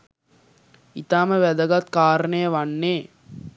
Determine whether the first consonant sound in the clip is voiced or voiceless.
voiceless